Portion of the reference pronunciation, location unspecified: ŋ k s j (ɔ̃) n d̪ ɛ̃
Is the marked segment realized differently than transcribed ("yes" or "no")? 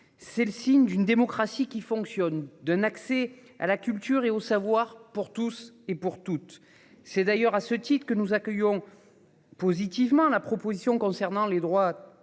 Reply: yes